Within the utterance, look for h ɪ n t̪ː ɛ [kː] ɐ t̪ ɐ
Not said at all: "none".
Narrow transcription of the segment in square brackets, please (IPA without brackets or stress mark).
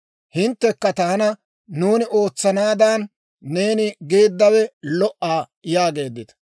kː